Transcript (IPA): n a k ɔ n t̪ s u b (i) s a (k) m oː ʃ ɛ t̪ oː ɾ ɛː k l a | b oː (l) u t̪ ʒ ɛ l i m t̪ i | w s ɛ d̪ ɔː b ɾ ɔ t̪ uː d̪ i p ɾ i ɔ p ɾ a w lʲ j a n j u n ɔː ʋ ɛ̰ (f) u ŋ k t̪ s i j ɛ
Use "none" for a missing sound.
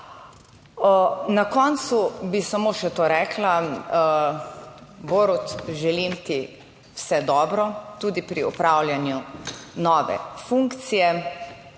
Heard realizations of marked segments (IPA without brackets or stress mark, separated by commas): i, none, ɾ, f